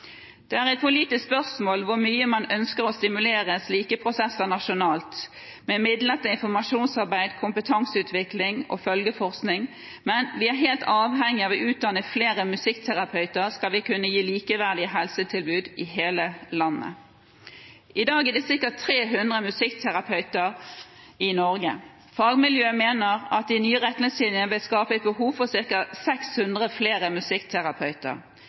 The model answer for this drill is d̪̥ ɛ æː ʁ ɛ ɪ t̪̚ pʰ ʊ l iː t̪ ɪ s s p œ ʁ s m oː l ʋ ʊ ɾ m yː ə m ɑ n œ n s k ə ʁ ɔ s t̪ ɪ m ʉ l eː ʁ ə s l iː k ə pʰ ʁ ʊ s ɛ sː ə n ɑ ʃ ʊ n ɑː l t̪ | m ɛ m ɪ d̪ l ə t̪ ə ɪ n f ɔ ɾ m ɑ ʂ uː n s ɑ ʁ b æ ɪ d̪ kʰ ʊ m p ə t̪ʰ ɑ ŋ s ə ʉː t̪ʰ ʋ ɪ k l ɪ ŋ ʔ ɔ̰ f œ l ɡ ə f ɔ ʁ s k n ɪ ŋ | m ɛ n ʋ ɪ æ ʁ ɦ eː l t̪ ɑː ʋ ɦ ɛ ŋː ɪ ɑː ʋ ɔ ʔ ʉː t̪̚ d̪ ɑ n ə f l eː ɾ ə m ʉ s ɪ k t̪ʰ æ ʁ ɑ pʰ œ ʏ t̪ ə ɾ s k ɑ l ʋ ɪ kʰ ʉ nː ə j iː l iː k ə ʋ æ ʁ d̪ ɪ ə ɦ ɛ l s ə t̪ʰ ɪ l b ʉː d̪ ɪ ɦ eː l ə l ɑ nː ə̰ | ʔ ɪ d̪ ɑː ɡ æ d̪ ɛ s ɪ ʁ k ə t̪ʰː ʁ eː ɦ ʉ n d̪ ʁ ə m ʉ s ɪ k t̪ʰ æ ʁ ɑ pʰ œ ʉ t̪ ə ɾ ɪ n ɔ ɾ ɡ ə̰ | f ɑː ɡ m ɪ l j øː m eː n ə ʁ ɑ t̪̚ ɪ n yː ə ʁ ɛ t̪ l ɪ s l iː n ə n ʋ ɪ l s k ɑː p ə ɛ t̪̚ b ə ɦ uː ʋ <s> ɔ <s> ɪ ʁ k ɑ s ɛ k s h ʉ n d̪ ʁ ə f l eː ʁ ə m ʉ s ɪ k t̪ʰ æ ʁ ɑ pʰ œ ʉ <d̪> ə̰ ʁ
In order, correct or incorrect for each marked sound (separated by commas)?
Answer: incorrect, correct, incorrect